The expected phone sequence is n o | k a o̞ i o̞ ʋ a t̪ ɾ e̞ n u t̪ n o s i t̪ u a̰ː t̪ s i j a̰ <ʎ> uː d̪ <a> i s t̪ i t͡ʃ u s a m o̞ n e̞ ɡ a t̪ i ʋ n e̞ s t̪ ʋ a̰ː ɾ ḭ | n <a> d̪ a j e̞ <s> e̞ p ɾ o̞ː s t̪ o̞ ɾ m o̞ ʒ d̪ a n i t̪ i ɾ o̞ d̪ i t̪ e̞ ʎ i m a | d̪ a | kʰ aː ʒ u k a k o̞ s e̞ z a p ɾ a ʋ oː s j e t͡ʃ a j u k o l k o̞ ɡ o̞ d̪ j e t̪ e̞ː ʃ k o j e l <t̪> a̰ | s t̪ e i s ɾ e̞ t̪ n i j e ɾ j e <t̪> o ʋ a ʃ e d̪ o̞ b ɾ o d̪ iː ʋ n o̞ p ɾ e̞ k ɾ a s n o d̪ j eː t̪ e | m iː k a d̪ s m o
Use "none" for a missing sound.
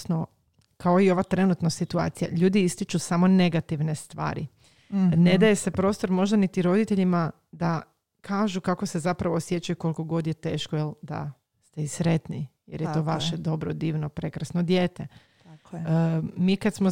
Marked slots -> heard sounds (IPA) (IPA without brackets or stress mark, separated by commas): ʎ, i, e, s, d̪, t̪